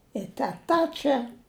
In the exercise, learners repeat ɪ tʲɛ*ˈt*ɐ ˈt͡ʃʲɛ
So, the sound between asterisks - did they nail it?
yes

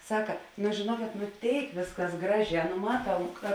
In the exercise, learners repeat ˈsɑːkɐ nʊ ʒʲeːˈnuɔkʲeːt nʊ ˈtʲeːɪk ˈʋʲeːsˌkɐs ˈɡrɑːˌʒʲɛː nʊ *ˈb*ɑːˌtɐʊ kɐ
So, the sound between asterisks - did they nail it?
no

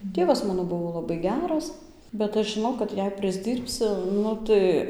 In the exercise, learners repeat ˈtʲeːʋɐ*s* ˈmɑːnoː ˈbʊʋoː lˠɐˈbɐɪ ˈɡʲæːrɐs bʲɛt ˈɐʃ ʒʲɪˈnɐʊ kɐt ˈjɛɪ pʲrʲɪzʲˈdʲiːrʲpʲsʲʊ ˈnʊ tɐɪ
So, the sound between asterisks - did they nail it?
yes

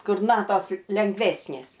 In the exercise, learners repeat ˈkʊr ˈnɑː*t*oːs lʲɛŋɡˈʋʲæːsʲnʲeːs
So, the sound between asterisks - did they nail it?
yes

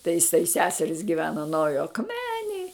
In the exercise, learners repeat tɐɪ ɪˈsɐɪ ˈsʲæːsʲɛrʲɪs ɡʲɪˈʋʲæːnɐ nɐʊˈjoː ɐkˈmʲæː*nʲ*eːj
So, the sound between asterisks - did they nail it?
yes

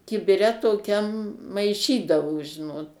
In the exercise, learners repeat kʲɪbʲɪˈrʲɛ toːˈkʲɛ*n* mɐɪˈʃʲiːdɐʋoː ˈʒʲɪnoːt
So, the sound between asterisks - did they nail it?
no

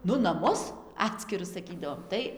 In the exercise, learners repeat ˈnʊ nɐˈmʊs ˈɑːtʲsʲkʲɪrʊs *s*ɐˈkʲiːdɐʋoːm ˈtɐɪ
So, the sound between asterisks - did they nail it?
yes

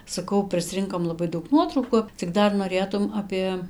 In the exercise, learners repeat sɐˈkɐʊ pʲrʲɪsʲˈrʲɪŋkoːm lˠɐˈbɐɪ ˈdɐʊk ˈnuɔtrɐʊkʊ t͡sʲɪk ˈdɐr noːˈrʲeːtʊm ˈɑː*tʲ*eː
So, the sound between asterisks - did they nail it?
no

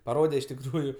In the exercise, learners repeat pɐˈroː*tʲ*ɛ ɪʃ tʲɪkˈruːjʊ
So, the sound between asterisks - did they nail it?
no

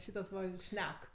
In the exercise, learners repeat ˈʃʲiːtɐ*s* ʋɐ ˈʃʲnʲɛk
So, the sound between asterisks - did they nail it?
yes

